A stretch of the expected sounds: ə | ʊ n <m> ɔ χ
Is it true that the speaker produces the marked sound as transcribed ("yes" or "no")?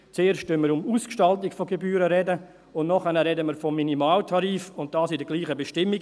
no